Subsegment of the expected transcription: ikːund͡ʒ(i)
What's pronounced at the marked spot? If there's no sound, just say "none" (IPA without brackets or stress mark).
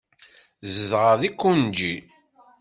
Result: i